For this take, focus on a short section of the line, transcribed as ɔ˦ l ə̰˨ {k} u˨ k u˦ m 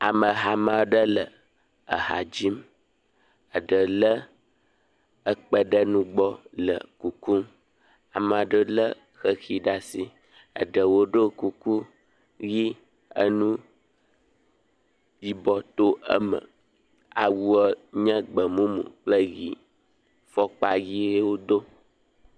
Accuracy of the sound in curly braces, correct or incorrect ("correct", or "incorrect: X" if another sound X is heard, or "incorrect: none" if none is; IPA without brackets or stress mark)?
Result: correct